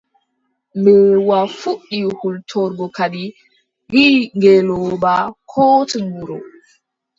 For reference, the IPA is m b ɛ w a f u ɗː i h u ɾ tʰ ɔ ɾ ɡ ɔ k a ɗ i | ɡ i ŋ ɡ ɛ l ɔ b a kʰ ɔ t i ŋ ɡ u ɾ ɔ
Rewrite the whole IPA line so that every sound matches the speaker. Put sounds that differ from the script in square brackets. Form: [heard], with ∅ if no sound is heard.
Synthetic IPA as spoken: m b ɛ w a f u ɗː i h u [l] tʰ ɔ ɾ ɡ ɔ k a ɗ i | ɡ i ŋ ɡ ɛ l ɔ b a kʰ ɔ t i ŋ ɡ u ɾ ɔ